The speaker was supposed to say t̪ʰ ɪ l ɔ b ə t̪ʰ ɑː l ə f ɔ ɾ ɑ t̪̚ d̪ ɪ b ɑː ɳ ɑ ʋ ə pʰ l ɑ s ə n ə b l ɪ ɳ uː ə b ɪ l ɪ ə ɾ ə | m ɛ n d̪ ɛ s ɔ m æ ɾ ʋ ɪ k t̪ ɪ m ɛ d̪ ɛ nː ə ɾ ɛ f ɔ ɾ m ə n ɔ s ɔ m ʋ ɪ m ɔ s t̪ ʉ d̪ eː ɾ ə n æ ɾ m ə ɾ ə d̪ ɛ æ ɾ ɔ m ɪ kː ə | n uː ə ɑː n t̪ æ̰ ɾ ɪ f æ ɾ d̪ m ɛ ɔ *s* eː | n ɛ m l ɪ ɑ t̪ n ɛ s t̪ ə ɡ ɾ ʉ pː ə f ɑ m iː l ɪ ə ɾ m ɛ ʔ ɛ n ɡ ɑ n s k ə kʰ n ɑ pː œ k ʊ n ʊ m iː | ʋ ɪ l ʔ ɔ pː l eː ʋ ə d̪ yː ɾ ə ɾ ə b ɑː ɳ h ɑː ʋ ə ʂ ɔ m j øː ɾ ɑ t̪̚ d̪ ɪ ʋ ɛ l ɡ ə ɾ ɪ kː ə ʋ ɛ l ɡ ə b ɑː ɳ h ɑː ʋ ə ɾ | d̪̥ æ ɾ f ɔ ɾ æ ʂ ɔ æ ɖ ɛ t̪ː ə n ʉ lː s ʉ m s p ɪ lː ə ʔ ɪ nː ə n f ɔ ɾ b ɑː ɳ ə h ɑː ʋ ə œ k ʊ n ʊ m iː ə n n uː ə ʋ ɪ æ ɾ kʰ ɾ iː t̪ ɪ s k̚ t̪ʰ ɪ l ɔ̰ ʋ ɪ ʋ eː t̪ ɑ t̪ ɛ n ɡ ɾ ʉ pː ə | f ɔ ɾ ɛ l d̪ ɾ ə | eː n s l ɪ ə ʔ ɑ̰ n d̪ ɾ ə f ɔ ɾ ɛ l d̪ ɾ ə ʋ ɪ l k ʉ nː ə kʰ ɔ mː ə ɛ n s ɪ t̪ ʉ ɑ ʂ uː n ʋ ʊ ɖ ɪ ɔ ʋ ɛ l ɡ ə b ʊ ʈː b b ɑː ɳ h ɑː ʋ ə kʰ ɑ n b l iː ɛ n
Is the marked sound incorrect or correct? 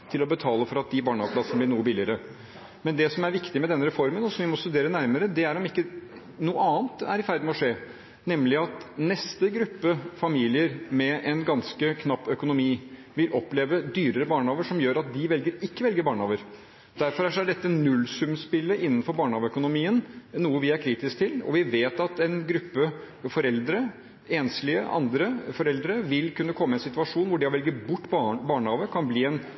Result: incorrect: ʂ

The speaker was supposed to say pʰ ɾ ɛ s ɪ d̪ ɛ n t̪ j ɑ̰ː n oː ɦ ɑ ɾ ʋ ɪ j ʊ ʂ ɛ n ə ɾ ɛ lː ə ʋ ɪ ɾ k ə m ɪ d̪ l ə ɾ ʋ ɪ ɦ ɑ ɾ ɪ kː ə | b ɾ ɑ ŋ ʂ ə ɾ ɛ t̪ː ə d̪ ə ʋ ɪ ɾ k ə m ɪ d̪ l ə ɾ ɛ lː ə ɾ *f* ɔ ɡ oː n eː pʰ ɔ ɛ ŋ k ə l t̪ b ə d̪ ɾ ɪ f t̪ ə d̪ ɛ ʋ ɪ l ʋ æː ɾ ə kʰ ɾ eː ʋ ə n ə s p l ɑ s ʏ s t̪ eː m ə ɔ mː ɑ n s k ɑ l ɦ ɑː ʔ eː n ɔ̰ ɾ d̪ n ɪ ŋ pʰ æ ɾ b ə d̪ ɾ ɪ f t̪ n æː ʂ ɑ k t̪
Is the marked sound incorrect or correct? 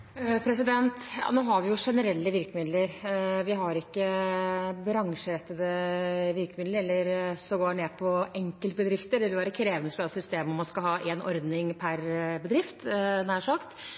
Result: incorrect: s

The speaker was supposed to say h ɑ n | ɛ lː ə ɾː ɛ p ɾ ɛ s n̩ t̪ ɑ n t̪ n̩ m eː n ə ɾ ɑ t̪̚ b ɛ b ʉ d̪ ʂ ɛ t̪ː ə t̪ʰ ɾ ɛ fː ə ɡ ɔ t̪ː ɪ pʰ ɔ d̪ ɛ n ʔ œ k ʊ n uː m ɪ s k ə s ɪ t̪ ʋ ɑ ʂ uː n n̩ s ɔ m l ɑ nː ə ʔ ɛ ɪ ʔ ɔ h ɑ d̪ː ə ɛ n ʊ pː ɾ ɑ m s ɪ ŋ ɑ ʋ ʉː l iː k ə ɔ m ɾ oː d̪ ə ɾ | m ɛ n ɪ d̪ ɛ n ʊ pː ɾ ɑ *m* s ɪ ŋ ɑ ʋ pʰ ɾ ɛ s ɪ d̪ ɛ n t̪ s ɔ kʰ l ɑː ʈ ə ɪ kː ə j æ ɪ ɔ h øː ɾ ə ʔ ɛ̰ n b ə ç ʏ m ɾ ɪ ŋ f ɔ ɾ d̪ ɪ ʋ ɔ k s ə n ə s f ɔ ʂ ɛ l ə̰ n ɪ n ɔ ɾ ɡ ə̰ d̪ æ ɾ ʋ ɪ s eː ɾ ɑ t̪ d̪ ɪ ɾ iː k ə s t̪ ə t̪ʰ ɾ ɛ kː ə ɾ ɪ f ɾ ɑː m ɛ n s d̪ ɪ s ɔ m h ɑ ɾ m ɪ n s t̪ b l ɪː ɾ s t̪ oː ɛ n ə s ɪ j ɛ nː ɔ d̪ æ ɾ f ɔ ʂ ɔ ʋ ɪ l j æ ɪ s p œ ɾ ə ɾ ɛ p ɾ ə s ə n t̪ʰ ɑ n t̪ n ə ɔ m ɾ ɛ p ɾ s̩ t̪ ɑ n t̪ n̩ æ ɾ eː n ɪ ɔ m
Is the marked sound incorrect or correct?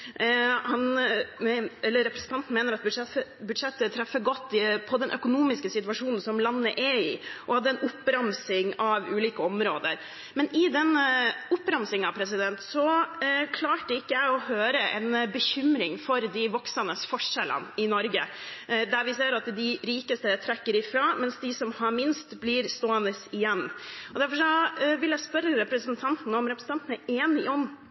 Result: correct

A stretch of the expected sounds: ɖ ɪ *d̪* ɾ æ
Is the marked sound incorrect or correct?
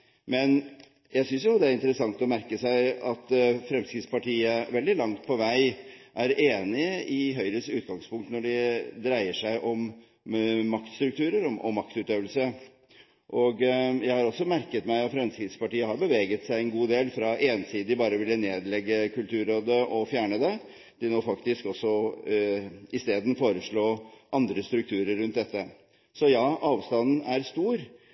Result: correct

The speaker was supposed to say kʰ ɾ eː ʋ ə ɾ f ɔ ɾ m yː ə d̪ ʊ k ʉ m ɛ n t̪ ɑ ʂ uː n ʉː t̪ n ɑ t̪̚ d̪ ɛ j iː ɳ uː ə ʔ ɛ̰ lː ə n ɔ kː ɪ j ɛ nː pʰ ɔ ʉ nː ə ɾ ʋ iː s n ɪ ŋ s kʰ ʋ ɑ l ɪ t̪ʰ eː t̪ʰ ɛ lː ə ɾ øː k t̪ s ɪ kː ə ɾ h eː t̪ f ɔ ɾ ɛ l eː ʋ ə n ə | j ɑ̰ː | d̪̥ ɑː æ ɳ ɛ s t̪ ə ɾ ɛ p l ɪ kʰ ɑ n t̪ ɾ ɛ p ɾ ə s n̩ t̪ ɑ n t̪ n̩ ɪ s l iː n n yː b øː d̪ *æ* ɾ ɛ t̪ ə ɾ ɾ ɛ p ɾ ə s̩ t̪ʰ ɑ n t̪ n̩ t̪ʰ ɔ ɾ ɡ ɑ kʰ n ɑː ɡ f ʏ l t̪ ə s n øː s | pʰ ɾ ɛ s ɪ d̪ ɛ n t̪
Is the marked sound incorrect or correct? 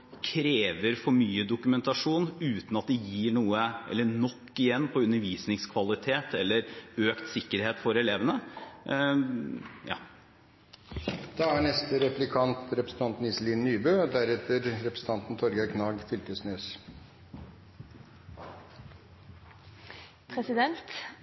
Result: correct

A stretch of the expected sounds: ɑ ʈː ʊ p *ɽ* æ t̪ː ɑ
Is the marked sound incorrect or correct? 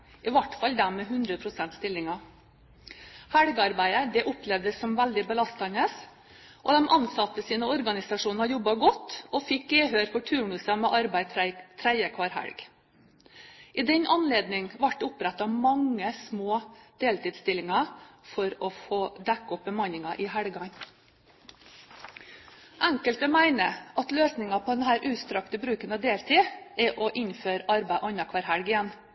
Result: incorrect: ɾ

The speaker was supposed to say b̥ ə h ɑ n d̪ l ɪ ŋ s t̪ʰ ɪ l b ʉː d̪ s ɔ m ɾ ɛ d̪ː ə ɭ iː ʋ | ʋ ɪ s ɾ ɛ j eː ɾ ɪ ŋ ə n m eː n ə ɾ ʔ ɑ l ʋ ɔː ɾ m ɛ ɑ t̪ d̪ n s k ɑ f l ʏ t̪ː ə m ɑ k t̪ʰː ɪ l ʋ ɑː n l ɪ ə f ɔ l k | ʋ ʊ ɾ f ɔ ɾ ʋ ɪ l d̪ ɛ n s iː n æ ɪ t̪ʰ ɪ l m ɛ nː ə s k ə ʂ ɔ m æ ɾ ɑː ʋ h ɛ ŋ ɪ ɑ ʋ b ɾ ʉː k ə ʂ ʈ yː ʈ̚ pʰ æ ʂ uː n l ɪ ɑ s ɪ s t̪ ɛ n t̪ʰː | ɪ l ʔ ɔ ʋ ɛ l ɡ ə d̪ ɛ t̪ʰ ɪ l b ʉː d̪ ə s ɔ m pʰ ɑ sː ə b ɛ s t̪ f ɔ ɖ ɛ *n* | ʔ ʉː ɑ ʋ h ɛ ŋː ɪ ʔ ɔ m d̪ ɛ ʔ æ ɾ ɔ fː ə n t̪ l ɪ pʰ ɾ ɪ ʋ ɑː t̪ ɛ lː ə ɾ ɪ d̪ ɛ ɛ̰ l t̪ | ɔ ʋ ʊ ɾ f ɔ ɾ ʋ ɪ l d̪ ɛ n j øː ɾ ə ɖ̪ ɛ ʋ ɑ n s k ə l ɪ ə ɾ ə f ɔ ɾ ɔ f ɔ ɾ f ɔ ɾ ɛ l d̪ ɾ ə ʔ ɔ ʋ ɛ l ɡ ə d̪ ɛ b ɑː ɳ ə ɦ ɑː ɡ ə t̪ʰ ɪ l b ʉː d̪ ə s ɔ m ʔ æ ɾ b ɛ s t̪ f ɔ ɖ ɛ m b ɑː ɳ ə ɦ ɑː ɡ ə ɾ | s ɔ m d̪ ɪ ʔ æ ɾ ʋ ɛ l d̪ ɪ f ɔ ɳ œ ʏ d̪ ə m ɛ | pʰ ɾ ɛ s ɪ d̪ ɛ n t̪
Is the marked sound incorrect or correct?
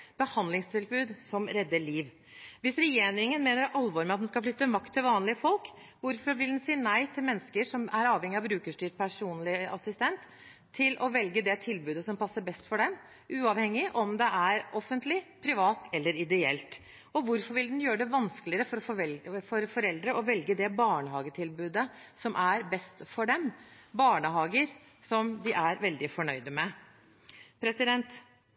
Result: incorrect: m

